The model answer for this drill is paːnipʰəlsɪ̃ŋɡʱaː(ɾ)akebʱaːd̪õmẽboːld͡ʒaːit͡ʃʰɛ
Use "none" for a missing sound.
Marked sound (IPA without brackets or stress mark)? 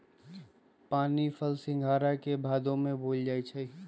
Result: ɾ